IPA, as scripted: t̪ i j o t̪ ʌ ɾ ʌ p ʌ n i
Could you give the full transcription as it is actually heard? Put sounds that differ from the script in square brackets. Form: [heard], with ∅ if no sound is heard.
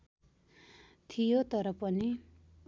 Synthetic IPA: [t̪ʰ] i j o t̪ ʌ ɾ ʌ p ʌ n i